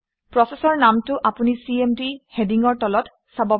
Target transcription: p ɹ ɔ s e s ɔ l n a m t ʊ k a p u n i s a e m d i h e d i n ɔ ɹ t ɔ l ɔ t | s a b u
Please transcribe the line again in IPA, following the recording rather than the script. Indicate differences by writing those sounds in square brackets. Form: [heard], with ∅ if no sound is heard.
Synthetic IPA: p ɹ ɔ s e s ɔ [ɹ] n a m t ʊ [ʔ] a p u n i s [i] e m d i h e d i [ŋ] ɔ ɹ t ɔ l ɔ t | s a b [ɔ]